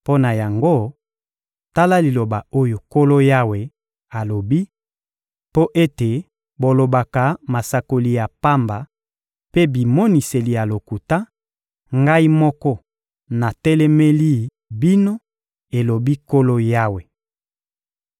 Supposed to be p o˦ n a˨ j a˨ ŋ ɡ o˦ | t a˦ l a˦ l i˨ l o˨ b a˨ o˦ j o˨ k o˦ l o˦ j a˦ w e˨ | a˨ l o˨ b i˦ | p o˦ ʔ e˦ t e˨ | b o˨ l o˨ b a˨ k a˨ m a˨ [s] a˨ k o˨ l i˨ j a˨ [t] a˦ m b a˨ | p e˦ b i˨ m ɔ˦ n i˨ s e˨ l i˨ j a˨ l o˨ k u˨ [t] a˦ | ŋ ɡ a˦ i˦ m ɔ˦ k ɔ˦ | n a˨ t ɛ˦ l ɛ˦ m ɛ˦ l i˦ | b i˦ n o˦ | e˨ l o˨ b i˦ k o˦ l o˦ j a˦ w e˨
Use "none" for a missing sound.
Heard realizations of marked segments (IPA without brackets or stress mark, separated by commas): s, p, t